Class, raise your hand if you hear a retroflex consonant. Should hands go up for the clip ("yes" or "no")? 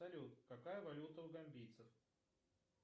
no